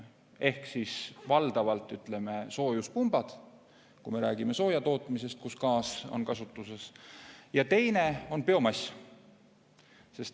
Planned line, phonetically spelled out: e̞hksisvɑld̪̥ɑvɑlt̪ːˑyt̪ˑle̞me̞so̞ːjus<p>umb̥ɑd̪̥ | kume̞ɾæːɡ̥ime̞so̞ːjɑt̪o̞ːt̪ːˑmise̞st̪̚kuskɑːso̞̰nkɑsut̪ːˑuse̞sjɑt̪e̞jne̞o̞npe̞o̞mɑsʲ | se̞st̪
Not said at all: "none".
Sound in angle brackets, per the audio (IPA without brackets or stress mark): p